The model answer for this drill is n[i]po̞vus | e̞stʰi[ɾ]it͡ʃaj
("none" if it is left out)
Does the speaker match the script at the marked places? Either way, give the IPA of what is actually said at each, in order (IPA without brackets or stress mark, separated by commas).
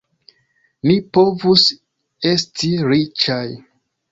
i, ɾ